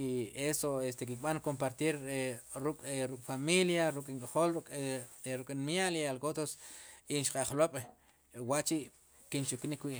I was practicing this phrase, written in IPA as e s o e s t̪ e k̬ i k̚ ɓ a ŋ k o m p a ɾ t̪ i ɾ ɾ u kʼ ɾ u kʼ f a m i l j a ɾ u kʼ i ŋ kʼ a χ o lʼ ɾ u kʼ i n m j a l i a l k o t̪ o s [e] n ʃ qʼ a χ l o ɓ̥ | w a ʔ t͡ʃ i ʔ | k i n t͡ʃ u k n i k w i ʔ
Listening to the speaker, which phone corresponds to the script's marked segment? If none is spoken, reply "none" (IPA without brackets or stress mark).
i